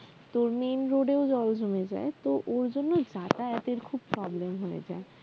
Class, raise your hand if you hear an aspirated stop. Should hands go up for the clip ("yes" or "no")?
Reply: yes